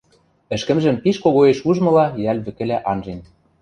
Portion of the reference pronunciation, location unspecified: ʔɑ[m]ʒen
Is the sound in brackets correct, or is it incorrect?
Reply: incorrect